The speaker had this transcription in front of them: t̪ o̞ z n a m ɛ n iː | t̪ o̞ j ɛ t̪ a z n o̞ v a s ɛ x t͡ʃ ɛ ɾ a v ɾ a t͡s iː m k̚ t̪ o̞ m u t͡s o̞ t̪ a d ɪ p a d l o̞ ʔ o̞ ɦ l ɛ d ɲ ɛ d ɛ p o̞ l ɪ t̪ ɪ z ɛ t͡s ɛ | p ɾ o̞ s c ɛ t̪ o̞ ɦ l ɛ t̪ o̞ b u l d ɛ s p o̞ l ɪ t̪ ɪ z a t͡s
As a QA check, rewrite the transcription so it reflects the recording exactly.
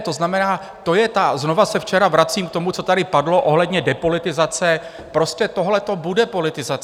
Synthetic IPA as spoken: t̪ o̞ z n a m ɛ n aː | t̪ o̞ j ɛ t̪ a z n o̞ v a s ɛ f t͡ʃ ɛ ɾ a v ɾ a t͡s iː m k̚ t̪ o̞ m u t͡s o̞ t̪ a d ɪ p a d l o̞ ʔ o̞ ɦ l ɛ d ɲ ɛ d ɛ p o̞ l ɪ t̪ ɪ z a t͡s ɛ | p ɾ o̞ s c ɛ t̪ o̞ ɦ l ɛ t̪ o̞ b u d ɛ p o̞ l ɪ t̪ ɪ z a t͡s